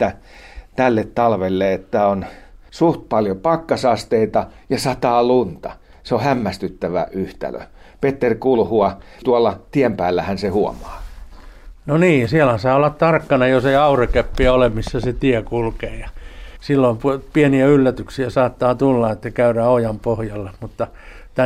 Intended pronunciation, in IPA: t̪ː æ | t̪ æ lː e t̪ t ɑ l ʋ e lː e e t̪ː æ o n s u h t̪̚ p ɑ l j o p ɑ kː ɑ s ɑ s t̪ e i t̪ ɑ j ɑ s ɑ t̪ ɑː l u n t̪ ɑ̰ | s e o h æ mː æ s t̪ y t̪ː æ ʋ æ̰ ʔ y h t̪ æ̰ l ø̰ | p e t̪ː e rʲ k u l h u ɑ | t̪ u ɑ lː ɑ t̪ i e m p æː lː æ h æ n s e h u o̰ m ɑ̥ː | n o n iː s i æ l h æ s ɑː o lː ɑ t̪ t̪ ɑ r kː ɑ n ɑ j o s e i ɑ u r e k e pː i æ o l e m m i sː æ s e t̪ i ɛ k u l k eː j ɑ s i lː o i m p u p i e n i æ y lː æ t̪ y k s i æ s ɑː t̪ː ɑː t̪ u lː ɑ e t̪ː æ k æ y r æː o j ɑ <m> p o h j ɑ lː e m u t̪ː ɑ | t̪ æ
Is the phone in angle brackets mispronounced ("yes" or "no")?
no